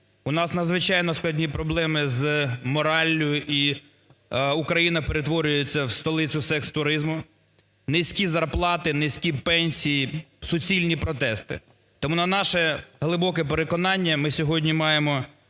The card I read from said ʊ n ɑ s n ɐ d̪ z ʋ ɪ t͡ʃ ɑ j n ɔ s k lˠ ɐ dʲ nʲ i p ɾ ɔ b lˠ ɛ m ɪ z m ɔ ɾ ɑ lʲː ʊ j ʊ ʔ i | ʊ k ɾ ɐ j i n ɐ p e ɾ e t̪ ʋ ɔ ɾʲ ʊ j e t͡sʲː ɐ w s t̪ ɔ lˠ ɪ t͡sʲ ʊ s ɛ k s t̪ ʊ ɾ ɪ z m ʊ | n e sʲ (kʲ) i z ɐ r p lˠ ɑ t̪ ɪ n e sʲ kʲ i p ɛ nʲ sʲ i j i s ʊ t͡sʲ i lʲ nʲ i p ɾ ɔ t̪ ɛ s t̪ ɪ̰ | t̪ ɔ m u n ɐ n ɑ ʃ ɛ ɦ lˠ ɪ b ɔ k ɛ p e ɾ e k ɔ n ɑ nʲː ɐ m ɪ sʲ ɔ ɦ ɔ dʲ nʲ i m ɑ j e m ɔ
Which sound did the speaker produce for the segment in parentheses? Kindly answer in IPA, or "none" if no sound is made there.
kʲ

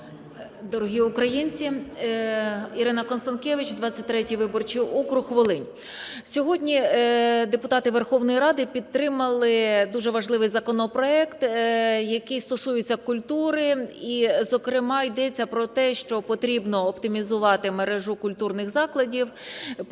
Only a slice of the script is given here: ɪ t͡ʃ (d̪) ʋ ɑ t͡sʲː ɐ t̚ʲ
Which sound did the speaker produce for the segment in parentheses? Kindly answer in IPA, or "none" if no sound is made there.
d̪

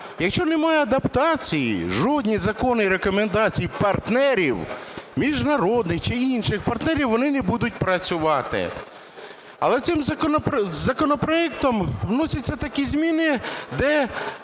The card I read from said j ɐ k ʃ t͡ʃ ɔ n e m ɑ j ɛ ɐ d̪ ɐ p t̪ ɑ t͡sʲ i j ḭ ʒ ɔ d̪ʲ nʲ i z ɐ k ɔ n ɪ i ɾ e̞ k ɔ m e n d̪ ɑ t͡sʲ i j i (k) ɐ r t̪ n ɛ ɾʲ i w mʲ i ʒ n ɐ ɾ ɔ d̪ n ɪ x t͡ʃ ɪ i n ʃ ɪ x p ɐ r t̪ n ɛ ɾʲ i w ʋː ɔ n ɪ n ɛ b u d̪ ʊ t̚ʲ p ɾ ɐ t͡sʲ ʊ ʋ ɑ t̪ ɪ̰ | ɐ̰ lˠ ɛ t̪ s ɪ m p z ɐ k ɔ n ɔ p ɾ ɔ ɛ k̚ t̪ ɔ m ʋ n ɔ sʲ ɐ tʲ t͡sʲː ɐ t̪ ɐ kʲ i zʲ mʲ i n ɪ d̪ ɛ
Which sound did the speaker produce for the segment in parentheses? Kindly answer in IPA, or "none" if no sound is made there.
p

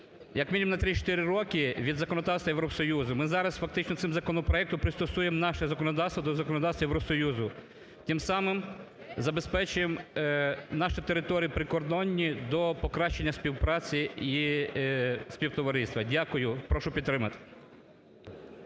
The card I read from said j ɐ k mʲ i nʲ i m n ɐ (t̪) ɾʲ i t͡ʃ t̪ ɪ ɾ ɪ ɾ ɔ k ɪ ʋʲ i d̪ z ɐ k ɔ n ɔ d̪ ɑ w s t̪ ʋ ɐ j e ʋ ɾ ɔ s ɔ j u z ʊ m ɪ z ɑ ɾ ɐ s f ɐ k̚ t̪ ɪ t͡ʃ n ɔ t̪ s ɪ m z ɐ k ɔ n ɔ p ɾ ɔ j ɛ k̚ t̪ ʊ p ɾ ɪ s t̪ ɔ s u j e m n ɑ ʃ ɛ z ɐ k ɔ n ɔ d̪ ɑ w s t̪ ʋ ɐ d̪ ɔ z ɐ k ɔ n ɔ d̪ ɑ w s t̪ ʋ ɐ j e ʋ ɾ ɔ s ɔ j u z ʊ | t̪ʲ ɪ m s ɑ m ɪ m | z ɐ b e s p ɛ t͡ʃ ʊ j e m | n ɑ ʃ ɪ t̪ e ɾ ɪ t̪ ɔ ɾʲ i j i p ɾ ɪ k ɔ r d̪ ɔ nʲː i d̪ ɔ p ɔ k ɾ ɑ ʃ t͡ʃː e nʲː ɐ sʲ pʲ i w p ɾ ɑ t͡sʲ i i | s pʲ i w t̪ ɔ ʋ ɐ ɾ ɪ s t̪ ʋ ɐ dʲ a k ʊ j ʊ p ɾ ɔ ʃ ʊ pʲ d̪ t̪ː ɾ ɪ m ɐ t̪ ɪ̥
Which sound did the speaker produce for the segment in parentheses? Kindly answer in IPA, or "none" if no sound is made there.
t̪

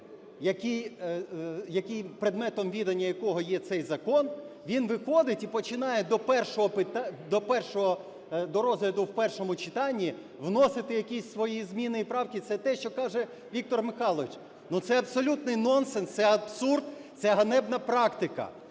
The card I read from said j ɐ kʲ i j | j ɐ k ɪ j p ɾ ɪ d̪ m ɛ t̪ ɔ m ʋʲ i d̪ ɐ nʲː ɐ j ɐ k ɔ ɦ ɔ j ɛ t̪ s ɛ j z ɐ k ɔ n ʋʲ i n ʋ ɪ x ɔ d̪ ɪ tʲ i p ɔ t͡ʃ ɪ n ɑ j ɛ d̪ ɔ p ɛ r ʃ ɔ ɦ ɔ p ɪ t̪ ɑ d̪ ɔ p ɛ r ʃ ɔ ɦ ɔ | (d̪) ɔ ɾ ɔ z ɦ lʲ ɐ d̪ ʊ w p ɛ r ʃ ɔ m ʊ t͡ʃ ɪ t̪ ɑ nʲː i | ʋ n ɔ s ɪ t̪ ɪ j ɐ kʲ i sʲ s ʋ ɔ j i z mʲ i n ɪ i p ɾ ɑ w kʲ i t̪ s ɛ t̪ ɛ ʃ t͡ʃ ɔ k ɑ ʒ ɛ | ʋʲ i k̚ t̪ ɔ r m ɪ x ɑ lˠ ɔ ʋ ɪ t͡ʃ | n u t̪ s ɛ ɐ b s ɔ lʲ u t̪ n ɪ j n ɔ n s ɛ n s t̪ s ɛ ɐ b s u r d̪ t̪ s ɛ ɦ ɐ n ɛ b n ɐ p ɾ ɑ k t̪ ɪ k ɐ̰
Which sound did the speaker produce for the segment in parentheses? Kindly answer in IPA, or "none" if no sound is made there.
d̪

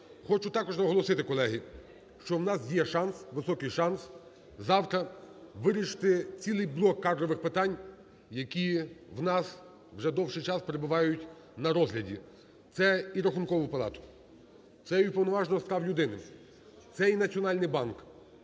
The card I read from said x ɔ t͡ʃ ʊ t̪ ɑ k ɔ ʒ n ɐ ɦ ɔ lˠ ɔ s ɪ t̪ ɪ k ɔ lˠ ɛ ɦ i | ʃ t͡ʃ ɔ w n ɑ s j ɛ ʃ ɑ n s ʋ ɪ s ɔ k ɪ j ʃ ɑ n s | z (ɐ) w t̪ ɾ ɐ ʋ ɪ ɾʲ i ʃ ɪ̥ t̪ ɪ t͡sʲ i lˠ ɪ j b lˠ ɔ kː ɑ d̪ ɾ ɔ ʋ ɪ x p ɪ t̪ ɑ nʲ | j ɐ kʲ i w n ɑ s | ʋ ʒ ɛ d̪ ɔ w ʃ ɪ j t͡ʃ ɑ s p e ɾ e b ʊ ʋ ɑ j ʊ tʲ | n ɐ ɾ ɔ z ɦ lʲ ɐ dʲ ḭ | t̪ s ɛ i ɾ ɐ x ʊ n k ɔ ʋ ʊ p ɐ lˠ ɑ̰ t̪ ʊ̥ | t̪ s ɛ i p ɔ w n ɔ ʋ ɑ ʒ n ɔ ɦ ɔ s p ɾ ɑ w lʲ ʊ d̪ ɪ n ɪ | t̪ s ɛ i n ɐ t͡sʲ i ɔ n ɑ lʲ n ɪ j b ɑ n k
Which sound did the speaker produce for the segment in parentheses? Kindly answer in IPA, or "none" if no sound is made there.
ɑ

